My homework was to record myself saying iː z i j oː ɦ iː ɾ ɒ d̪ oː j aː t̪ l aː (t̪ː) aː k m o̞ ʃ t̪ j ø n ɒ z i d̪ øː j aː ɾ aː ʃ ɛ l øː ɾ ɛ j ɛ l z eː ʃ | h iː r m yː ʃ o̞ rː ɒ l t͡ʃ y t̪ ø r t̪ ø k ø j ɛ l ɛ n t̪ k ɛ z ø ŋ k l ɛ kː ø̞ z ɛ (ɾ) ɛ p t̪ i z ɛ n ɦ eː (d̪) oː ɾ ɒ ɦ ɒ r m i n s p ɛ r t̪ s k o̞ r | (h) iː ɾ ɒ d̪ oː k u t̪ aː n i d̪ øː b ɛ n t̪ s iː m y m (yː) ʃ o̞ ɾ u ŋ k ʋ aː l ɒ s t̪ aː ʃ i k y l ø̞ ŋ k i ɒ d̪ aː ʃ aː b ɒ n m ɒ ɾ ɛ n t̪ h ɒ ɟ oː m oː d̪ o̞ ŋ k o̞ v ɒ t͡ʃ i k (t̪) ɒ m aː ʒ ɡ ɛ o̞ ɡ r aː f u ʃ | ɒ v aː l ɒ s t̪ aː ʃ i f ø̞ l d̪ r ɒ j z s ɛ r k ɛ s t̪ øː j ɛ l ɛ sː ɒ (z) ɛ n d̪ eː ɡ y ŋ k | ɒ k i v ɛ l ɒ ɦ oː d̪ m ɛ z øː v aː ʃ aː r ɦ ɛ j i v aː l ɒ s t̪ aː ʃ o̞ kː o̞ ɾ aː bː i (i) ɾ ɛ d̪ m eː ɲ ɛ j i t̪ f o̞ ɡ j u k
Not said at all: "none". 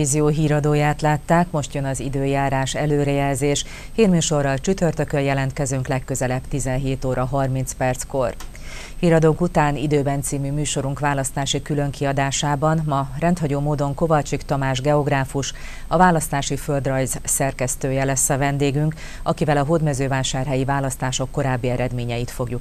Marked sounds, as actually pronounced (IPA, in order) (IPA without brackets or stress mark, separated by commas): t̪ː, l, t̪, h, yː, t̪, v, ɛ